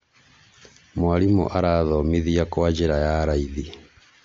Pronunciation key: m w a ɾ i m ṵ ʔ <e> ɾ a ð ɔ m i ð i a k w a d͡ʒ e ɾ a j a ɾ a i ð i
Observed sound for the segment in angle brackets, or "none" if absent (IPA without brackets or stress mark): a